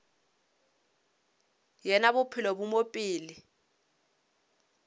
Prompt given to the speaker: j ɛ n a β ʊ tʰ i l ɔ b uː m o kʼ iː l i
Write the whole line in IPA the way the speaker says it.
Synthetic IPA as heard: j ɛ n a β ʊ pʰ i l ɔ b u m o pʼ iː l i